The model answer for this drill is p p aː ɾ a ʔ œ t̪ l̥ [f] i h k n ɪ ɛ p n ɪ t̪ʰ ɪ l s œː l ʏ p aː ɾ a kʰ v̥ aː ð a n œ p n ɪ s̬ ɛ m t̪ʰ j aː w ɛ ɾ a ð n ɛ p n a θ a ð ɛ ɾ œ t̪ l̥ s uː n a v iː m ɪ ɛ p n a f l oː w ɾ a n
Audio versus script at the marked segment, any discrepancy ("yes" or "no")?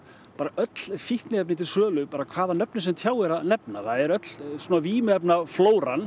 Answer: no